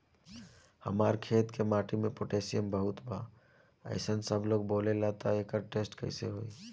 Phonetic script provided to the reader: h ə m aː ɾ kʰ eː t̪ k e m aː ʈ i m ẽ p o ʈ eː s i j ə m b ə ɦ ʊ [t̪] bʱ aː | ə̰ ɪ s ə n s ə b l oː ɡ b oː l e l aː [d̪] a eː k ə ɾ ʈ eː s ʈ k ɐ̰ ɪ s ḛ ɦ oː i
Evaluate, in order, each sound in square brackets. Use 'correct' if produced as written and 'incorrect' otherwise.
correct, incorrect: t̪

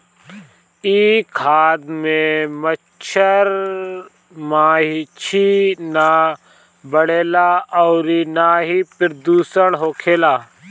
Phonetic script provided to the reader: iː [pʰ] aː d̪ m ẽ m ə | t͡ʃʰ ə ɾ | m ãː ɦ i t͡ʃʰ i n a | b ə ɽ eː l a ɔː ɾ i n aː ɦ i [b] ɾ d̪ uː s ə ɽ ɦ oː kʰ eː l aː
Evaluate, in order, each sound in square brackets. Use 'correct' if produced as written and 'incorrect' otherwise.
incorrect: kʰ, incorrect: p

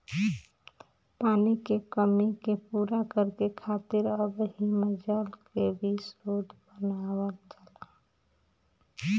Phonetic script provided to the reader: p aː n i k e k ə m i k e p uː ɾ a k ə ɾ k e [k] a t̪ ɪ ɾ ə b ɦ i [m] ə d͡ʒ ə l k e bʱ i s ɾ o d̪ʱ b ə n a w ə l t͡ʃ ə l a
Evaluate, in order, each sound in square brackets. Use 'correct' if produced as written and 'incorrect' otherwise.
incorrect: kʰ, correct

